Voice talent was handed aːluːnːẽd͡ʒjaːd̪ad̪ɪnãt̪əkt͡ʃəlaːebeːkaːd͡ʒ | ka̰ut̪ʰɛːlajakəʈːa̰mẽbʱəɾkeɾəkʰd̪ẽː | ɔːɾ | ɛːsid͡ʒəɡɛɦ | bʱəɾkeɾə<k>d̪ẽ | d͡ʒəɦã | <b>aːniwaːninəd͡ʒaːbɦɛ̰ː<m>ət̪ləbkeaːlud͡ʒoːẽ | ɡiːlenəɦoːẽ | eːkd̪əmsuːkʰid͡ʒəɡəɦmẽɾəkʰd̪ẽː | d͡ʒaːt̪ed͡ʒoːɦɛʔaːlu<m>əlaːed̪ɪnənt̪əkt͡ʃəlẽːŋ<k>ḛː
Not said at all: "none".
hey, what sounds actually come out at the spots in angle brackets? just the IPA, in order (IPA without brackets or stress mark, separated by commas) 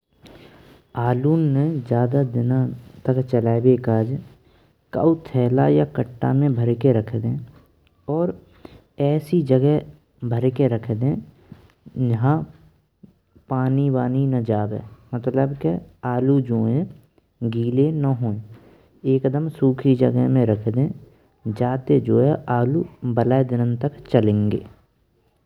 kʰ, p, m, b, ɡ